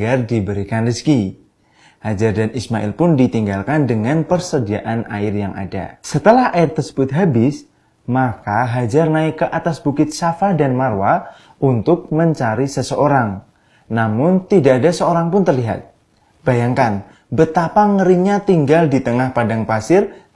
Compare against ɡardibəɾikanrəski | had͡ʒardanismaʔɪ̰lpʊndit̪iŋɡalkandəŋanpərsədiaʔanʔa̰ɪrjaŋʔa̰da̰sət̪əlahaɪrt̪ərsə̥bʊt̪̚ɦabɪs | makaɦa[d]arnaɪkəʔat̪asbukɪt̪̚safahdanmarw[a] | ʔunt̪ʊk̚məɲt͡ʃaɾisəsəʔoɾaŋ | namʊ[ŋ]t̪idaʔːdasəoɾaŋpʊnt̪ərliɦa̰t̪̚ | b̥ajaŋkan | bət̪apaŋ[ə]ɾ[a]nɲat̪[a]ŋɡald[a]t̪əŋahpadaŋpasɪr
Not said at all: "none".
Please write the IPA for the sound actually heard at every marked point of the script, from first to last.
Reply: d͡ʒ, a, n, ə, i, i, i

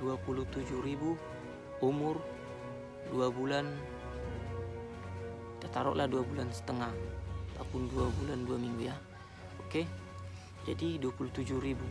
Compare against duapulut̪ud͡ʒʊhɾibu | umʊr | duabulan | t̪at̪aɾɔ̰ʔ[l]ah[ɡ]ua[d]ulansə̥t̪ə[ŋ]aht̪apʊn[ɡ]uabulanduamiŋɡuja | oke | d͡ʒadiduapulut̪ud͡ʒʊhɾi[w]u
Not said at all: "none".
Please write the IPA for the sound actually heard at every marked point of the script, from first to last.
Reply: l, d, b, ŋ, d, b

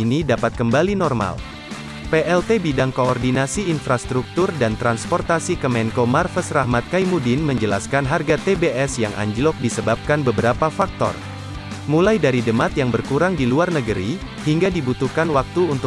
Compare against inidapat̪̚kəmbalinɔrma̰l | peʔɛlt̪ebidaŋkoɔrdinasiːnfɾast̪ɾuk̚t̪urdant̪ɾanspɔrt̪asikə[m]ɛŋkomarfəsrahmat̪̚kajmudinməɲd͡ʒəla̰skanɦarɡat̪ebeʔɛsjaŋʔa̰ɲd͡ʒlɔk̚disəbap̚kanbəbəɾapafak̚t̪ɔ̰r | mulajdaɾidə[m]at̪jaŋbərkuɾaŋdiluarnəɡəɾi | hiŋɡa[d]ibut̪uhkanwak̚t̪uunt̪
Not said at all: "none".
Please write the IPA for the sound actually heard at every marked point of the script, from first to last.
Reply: m, m, d

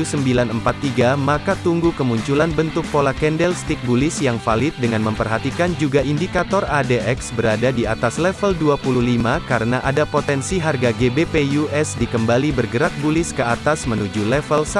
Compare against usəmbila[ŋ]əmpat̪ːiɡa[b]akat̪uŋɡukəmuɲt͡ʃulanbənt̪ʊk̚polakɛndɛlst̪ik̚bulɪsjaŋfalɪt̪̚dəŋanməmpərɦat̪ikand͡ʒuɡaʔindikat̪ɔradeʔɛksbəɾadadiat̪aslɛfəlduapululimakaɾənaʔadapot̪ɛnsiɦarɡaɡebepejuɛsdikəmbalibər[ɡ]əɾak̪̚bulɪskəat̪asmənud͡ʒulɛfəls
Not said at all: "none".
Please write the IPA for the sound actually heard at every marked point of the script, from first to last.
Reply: n, m, ɡ

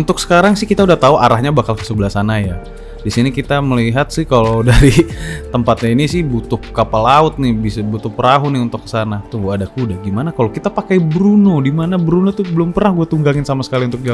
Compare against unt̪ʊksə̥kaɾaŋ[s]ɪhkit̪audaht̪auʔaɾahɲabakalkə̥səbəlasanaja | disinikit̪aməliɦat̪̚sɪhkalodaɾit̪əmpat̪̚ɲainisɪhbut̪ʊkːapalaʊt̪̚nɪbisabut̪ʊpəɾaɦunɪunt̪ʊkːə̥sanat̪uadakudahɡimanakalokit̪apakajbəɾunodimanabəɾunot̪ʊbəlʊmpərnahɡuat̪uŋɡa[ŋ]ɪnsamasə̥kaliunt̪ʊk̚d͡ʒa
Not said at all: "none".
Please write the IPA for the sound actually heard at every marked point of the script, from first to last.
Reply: s, ŋ

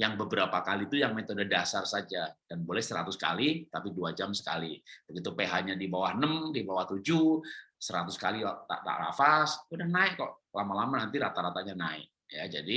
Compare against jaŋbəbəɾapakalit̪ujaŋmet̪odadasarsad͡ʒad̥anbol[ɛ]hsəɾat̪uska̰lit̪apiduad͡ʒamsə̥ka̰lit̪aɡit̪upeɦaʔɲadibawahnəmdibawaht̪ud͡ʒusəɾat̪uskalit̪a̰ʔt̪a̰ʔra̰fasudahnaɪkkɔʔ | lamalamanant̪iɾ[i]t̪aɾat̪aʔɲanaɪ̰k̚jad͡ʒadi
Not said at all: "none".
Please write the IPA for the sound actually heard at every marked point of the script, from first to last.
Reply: ɛ, a

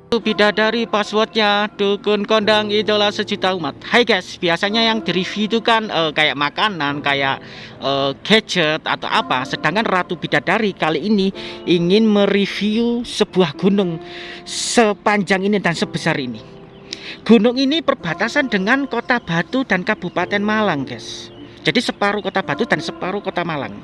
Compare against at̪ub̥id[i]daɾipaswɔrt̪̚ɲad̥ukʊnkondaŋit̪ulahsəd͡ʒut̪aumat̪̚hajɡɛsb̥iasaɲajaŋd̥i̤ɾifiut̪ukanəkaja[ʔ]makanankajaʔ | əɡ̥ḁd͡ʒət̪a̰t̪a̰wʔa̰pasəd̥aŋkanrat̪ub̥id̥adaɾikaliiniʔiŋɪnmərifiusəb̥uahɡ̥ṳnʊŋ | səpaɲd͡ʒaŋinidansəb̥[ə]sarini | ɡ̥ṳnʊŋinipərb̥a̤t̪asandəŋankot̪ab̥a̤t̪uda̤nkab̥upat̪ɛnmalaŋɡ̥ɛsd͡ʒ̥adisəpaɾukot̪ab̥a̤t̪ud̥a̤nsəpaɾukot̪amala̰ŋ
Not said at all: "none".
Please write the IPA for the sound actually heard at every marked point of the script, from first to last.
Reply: a, ʔ, ə

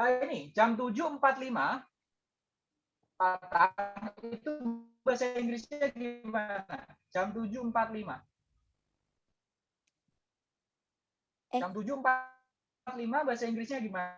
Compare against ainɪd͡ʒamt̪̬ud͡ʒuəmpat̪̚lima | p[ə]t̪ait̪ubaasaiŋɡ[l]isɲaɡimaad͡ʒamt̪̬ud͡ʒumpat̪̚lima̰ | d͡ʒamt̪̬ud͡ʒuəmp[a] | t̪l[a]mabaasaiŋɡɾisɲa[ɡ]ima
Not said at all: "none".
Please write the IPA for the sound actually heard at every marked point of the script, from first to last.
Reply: a, ɾ, a, i, ɡ

